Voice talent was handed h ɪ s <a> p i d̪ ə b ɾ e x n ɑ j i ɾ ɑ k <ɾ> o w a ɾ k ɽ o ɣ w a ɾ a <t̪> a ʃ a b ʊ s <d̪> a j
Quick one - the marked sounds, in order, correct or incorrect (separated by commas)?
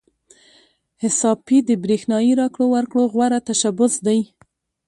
incorrect, incorrect, correct, correct